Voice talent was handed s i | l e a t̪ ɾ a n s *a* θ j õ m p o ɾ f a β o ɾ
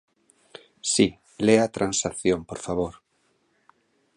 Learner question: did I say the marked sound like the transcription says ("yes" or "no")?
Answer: yes